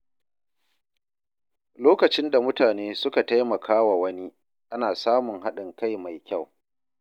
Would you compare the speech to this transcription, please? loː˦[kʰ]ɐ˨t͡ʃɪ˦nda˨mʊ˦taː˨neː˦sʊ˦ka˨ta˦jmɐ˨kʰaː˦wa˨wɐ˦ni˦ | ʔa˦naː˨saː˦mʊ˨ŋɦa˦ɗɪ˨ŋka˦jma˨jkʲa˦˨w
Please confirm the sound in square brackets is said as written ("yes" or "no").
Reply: no